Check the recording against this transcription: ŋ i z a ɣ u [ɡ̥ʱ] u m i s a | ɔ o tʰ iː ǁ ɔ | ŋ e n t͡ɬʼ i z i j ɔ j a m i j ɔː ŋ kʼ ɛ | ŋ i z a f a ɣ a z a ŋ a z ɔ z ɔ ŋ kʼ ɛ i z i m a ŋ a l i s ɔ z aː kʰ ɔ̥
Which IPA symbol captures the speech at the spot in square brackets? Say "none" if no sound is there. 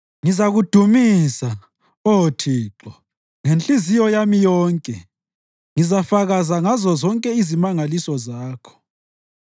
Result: d̥ʱ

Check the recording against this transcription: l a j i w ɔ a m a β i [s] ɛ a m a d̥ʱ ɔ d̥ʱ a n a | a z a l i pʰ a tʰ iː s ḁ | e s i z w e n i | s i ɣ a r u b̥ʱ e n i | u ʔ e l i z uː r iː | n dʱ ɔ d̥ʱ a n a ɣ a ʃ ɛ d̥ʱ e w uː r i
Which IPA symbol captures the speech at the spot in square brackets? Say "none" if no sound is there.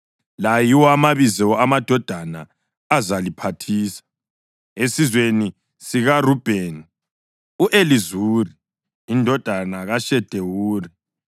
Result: z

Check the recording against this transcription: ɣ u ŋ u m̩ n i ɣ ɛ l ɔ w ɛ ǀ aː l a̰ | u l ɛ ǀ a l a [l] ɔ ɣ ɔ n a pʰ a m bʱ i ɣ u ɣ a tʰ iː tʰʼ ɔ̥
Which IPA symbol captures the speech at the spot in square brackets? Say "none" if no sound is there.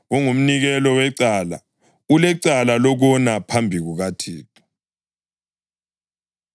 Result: l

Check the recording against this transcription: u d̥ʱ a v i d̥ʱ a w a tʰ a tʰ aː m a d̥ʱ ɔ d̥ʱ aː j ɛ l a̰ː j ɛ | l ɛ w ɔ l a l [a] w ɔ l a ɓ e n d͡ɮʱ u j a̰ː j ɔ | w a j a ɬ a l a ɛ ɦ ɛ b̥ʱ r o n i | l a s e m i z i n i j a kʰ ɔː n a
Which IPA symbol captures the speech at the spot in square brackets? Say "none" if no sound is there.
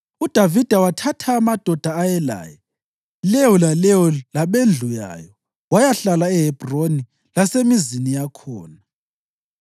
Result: ɛ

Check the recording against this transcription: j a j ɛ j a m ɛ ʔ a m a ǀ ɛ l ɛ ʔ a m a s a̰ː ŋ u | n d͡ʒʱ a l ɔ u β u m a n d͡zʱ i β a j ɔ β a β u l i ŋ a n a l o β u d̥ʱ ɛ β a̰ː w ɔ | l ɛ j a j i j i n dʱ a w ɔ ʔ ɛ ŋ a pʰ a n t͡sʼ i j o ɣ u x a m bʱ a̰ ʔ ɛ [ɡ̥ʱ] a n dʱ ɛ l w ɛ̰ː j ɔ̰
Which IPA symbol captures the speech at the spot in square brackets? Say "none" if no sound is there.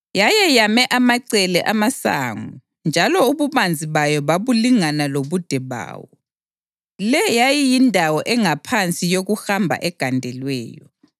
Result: ɡ̥ʱ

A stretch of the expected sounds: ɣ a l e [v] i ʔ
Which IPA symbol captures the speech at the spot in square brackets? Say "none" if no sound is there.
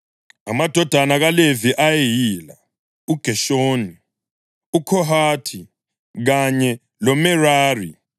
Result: v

